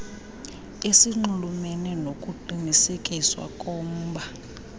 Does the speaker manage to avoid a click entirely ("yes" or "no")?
no